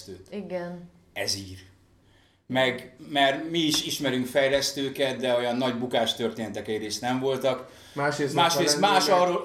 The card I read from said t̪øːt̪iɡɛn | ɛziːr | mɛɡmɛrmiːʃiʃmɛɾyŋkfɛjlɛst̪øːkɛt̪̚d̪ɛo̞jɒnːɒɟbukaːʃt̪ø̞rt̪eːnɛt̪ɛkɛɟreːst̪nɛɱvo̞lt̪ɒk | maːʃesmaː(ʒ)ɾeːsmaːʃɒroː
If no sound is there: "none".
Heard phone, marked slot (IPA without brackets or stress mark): ʃ